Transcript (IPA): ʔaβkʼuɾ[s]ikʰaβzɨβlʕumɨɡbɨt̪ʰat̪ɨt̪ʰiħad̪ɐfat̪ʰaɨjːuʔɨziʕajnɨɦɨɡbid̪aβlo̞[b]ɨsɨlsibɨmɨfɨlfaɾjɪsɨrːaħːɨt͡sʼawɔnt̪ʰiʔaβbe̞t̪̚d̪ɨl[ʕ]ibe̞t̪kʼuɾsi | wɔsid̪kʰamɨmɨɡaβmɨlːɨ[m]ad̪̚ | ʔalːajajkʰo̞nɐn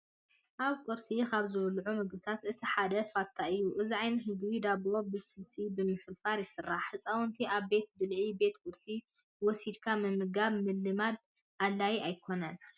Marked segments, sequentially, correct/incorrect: correct, correct, correct, correct

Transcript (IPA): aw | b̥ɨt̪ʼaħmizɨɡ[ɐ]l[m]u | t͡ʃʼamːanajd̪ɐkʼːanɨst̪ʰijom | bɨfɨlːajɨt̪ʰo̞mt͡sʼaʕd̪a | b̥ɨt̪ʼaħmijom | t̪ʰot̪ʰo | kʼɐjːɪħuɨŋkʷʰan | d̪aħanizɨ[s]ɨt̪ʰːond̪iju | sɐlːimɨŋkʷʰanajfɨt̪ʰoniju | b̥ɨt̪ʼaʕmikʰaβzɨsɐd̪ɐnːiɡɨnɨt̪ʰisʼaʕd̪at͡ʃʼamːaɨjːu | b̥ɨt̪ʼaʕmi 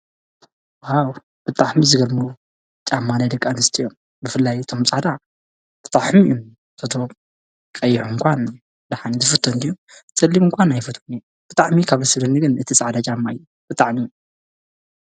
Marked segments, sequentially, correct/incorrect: correct, correct, incorrect: f

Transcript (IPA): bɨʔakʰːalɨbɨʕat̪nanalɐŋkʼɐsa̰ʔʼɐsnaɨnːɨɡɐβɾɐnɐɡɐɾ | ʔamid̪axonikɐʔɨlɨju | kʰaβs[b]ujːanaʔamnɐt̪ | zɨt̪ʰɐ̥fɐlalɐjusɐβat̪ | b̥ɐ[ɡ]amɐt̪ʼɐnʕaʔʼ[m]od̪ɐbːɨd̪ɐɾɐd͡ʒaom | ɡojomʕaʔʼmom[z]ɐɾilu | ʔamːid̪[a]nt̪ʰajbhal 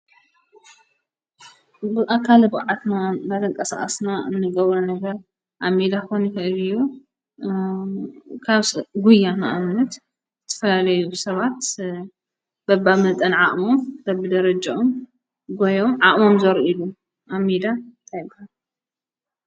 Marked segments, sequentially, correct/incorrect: incorrect: ɡ, incorrect: b, correct, correct, correct

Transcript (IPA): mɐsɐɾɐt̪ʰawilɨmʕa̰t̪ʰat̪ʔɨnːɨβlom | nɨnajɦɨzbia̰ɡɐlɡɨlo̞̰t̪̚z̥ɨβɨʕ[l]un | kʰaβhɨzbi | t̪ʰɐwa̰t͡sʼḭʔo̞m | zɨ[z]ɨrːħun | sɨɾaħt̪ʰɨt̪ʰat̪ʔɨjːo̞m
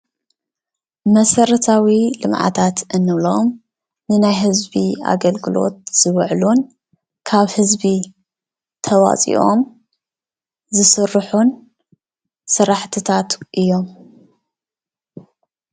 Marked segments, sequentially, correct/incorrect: correct, incorrect: s

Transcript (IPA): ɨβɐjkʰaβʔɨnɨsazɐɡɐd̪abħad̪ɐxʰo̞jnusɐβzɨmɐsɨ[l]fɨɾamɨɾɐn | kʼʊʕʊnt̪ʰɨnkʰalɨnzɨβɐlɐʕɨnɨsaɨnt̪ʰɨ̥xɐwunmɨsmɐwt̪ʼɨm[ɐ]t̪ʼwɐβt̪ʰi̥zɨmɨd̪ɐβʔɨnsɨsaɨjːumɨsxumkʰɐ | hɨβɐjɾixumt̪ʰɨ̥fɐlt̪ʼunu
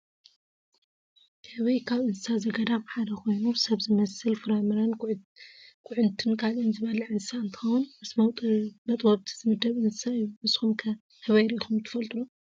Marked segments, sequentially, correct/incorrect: correct, correct

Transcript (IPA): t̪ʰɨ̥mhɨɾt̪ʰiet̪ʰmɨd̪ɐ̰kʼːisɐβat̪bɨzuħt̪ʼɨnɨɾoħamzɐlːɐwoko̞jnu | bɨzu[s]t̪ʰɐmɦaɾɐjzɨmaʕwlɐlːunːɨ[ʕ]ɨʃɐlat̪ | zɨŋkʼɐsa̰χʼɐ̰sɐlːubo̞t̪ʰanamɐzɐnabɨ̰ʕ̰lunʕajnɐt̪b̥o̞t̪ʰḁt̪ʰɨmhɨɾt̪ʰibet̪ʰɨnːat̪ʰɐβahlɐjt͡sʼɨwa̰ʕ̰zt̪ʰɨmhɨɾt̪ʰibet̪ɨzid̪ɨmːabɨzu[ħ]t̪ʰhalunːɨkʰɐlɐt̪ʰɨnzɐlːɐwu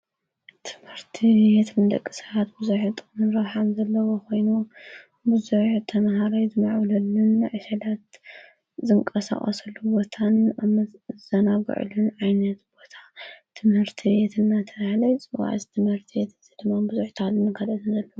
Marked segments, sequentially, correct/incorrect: incorrect: ħ, correct, correct

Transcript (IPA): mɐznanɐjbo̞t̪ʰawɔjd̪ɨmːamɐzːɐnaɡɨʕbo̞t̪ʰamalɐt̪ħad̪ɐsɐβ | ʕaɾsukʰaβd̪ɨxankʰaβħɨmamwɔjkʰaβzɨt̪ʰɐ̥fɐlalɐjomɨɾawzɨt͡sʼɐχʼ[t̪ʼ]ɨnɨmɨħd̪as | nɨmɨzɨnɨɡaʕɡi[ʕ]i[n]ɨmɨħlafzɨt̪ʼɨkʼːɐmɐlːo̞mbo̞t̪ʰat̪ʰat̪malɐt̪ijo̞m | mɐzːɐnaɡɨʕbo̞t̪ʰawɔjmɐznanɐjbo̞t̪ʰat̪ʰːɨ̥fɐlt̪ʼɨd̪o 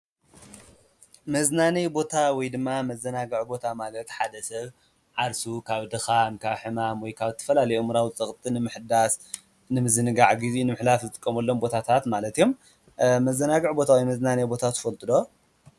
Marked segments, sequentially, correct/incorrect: correct, incorrect: z, correct

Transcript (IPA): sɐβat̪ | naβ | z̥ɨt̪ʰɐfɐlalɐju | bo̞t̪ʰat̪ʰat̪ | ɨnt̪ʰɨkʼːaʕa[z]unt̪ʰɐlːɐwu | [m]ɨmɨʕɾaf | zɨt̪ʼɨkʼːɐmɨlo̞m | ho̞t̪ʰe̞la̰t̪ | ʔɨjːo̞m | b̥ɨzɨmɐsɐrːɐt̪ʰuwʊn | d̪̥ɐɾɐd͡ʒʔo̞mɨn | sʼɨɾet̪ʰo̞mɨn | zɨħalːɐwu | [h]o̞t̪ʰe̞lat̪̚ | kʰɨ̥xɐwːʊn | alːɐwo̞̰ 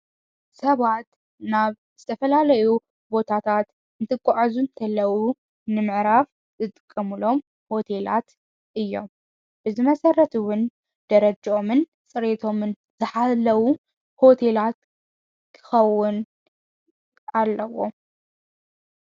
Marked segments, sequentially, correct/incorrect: correct, incorrect: n, correct

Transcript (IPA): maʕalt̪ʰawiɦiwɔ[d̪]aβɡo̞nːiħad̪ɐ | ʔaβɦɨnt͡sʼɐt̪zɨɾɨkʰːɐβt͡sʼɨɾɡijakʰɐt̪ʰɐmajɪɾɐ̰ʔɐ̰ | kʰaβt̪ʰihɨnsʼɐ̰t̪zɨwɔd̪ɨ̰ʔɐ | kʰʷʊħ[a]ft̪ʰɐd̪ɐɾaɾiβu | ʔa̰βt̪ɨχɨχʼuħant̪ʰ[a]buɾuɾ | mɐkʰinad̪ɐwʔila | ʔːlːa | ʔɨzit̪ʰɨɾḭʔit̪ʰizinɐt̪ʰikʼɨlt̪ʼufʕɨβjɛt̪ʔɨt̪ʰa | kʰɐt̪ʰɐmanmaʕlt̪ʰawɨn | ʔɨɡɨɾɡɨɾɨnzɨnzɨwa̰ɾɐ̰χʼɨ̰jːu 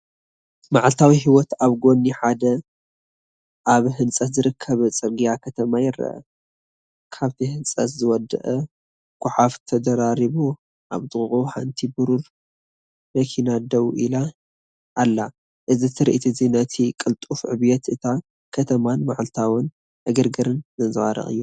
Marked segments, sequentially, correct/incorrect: incorrect: t̪, correct, incorrect: i

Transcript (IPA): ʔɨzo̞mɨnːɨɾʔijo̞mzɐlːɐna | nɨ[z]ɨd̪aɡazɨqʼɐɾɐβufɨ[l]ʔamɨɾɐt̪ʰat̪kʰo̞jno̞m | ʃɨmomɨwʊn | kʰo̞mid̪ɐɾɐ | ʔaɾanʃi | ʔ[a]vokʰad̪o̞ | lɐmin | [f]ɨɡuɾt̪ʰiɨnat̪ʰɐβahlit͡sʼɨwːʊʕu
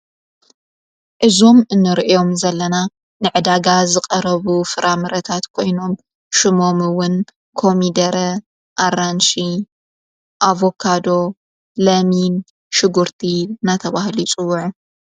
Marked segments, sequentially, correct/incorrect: incorrect: ʕ, incorrect: ɾ, correct, incorrect: ʃ

